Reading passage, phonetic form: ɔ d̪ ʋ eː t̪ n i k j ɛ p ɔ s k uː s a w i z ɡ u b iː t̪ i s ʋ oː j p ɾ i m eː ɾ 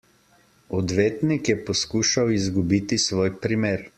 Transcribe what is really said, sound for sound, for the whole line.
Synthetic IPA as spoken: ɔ d̪ ʋ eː t̪ n i k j ɛ p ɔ s k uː ʃ a w i z ɡ u b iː t̪ i s ʋ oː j p ɾ i m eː ɾ

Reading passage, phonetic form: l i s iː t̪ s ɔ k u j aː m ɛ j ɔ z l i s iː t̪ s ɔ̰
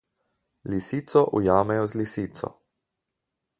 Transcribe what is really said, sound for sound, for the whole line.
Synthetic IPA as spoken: l i s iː t̪ s ɔ ʔ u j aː m ɛ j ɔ z l i s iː t̪ s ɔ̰

